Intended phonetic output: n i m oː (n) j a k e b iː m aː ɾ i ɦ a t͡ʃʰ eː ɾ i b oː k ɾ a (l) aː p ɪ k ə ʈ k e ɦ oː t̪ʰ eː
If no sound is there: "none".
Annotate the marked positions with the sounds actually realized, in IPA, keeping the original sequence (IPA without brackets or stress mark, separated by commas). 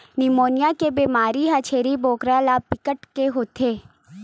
n, l